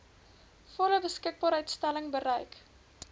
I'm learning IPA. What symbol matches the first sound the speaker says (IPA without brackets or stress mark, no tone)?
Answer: f